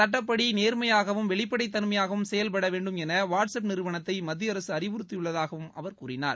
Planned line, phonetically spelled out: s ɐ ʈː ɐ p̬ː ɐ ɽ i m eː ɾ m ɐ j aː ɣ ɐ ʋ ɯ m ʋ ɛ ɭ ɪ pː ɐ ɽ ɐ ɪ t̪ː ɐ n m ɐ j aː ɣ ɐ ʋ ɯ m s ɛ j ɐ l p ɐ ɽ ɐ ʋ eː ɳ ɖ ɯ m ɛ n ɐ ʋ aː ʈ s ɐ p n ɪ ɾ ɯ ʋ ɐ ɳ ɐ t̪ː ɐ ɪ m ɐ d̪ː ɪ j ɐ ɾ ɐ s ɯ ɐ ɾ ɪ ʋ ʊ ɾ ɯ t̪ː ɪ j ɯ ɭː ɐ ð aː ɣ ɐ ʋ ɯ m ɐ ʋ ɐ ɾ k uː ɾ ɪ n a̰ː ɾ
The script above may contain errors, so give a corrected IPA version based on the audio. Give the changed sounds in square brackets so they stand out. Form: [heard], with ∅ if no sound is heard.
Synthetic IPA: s ɐ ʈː ɐ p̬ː ɐ ɽ i [n] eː ɾ m ɐ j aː ɣ ɐ ʋ ɯ m ʋ ɛ ɭ ɪ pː ɐ ɽ ɐ ɪ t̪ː ɐ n m ɐ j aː ɣ ɐ ʋ ɯ m s ɛ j ɐ l p ɐ ɽ ɐ ʋ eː ɳ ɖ ɯ m ɛ n ɐ ʋ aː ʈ s ɐ p n ɪ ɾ ɯ ʋ ɐ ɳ ɐ t̪ː ɐ ɪ m ɐ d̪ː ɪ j ɐ ɾ ɐ s ɯ ɐ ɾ ɪ ʋ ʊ ɾ ɯ t̪ː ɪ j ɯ ɭː ɐ ð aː ɣ ɐ ʋ ɯ m ɐ ʋ ɐ ɾ k uː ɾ ɪ n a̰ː ɾ